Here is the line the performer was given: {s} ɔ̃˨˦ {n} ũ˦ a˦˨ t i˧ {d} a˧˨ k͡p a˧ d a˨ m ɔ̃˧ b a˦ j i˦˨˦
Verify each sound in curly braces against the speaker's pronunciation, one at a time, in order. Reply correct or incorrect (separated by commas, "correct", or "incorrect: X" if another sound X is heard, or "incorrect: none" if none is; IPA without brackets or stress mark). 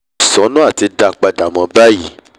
correct, correct, correct